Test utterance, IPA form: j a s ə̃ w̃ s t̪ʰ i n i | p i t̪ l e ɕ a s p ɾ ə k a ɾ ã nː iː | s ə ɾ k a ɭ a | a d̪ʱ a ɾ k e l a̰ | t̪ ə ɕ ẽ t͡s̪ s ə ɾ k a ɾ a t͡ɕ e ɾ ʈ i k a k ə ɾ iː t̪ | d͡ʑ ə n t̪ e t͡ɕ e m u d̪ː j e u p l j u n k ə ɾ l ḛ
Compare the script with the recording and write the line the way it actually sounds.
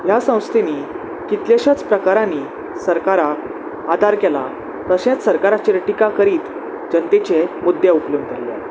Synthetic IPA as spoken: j a s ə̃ w̃ s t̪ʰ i n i | k i t̪ l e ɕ a t͡s p ɾ ə k a ɾ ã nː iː | s ə ɾ k a ɾ a | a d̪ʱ a ɾ k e l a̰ | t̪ ə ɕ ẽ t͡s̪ s ə ɾ k a ɾ a t͡ɕ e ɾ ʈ i k a k ə ɾ iː t̪ | d͡ʑ ə n t̪ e t͡ɕ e m u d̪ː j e u p l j u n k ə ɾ l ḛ